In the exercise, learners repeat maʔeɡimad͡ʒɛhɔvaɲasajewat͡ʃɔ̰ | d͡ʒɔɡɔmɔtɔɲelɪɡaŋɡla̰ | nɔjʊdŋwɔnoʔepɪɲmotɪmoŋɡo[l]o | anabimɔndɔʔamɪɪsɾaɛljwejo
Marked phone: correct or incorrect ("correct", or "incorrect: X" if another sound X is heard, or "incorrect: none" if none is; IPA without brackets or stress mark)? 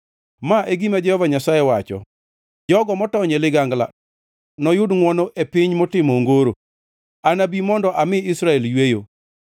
incorrect: ɾ